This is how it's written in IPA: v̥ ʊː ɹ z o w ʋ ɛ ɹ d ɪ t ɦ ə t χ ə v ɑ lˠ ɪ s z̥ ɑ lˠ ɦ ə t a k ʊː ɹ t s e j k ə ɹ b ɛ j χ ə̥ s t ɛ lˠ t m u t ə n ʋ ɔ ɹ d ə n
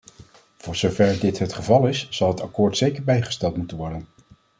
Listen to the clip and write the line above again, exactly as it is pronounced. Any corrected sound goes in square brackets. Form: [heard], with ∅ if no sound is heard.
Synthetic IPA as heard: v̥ ʊː ɹ z o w [v] ɛ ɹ d ɪ t ɦ ə t χ ə v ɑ lˠ ɪ s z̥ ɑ lˠ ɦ ə t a k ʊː ɹ t s e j k ə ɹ b ɛ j χ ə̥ s t ɛ lˠ t m u t ə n ʋ ɔ ɹ d ə n